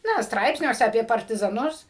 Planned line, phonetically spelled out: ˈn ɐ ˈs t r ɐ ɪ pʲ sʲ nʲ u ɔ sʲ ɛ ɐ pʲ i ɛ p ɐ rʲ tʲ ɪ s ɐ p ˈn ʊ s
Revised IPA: ˈn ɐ ˈs t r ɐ ɪ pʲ sʲ nʲ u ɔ sʲ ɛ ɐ pʲ i ɛ p ɐ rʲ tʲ ɪ z ɐ ˈn ʊ s